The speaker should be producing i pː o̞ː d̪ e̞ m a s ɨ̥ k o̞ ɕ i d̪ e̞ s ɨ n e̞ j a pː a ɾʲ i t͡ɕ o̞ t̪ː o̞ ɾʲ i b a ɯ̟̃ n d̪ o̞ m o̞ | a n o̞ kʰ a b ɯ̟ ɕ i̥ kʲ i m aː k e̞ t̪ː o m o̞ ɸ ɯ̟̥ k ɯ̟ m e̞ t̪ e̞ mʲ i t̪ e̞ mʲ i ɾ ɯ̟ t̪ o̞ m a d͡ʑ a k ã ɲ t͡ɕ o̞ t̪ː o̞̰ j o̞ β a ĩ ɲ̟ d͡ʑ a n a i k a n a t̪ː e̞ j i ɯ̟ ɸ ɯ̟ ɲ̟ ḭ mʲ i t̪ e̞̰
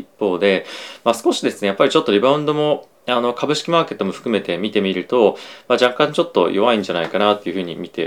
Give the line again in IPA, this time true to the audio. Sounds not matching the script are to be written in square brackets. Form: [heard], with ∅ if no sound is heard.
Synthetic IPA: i pː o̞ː d̪ e̞ m a s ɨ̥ k o̞ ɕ i d̪ e̞ s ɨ n e̞ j a pː a ɾʲ i t͡ɕ o̞ t̪ː o̞ ɾʲ i b a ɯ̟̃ n d̪ o̞ m o̞ | a n o̞ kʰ a b ɯ̟ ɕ i̥ kʲ i m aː k e̞ t̪ː o m o̞ ɸ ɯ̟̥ k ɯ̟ m e̞ t̪ e̞ mʲ i t̪ e̞ mʲ i ɾ ɯ̟ t̪ o̞ m a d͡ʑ a k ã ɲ t͡ɕ o̞ t̪ː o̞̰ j o̞ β a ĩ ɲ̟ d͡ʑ a n a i k a n a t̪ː e̞ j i ɯ̟ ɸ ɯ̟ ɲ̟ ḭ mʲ i t̪ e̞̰